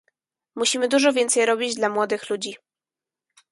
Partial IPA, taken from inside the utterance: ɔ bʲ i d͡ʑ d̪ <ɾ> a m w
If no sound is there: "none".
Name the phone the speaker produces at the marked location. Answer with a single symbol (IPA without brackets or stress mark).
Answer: l